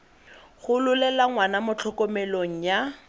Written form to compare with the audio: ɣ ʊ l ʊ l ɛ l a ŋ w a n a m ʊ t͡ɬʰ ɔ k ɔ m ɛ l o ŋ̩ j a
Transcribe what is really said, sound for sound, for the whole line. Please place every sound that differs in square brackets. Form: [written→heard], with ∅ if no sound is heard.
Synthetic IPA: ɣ ʊ l ʊ l ɛ l a ŋ w a n a m ʊ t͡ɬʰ ɔ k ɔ m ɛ l o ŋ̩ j a

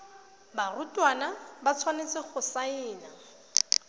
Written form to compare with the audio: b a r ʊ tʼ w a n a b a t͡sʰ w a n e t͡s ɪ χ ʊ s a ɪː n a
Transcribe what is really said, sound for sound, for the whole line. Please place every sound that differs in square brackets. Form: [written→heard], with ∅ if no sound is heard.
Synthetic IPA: b a r ʊ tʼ w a n a b a t͡sʰ w a n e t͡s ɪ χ ʊ s a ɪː n a

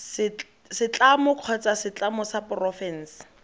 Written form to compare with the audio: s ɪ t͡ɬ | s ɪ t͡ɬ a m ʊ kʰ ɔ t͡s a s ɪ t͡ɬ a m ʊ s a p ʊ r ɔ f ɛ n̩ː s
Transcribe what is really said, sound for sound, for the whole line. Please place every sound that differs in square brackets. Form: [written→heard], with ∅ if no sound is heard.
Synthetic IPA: s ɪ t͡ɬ | s ɪ t͡ɬ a m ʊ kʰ ɔ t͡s a s ɪ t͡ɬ a m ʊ s a p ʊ r ɔ f ɛ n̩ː s

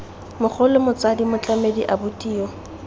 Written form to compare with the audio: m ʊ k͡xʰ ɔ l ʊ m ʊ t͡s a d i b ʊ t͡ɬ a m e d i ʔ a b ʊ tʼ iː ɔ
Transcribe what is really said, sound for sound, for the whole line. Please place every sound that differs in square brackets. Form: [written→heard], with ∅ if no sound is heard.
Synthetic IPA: m ʊ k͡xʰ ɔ l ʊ m ʊ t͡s a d i [b→m] ʊ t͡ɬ a m e d i ʔ a b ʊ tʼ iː ɔ

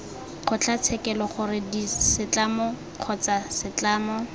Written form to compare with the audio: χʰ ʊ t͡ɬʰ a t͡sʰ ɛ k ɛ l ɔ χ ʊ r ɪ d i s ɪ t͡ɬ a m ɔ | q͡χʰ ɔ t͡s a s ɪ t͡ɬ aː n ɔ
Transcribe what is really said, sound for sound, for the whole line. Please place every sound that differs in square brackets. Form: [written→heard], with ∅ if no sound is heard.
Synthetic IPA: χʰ ʊ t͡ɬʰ a t͡sʰ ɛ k ɛ l ɔ χ ʊ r ɪ d i s ɪ t͡ɬ a m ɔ | q͡χʰ ɔ t͡s a s ɪ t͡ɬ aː [n→m] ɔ

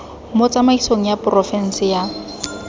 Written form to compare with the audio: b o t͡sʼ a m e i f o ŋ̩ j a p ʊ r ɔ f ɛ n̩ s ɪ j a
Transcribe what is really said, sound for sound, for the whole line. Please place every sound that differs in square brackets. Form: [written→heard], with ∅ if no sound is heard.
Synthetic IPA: [b→m] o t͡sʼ a m [e→a] i [f→s] o ŋ̩ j a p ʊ r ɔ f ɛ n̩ s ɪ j a

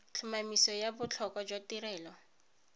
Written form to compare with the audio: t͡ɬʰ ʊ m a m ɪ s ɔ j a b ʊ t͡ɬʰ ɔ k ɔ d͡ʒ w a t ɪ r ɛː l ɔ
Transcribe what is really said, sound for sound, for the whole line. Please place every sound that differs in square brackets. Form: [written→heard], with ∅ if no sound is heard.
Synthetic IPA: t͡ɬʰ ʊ m a m [ɪ→i] s ɔ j a b ʊ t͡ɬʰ ɔ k ɔ d͡ʒ w a t [ɪ→i] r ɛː l ɔ

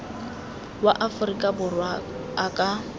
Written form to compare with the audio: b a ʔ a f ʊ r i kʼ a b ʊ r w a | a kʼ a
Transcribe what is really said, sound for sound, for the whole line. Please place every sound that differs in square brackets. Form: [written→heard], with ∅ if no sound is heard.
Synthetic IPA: [b→w] a ʔ a f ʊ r i kʼ a b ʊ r w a | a kʼ a

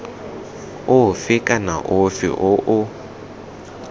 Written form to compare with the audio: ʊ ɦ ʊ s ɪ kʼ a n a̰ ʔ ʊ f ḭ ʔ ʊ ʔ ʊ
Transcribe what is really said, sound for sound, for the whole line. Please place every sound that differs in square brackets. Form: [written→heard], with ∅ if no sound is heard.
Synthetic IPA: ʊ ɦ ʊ [s→f] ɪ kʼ a n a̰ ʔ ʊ f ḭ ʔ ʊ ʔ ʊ

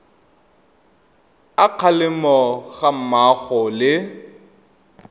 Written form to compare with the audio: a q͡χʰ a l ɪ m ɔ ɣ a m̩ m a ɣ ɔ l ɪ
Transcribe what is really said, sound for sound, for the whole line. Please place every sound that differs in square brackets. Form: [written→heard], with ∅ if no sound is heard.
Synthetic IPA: a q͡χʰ a l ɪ m ɔ ɣ a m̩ m a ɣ ɔ l ɪ

